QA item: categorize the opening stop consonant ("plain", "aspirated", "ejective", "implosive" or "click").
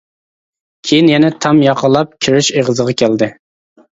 aspirated